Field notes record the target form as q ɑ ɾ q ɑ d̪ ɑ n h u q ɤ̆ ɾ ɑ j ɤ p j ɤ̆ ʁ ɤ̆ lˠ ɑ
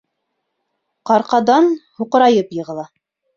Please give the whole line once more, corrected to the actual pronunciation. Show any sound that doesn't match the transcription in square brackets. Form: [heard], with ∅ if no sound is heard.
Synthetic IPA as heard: q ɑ ɾ q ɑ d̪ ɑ n h u q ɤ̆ ɾ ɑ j ɤ p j ɤ̆ ʁ ɤ̆ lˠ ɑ